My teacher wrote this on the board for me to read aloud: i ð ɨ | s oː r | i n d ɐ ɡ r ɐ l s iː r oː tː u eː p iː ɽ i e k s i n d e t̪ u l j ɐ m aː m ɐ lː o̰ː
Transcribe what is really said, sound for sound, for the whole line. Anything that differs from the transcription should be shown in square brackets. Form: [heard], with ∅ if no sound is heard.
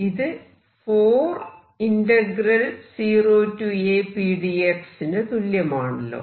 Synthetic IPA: i ð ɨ | [f] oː r | i n d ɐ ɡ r ɐ l s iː r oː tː u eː p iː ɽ i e k s i n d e t̪ u l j ɐ m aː [ɳ] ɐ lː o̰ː